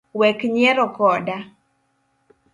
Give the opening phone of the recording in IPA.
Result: w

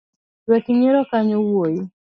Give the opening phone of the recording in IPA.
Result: w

